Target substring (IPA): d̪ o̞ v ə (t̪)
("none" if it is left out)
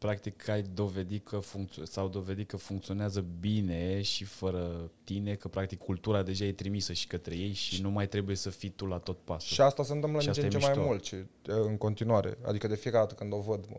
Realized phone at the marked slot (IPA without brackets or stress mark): d̪